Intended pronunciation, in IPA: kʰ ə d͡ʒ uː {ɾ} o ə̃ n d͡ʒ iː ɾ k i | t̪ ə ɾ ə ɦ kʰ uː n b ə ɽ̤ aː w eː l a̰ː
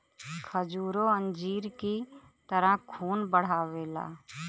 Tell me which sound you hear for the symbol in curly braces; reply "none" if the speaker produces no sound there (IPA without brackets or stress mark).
ɾ